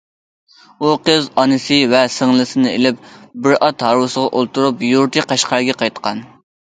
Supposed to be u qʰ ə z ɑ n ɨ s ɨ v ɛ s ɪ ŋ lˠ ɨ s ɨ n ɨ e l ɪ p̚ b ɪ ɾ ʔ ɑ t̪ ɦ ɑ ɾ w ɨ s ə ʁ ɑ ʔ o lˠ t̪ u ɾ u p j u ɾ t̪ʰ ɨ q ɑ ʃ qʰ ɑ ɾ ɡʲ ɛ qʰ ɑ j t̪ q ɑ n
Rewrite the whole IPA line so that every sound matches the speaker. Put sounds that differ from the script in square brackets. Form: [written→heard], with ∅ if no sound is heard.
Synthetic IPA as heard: u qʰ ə z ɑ n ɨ s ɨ v ɛ s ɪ ŋ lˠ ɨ s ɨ n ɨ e l ɪ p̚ b ɪ ɾ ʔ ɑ t̪ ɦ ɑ ɾ w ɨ s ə ʁ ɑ ʔ o lˠ t̪ u ɾ u p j u ɾ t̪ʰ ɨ q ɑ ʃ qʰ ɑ ɾ ɡʲ ɛ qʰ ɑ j t̪ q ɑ n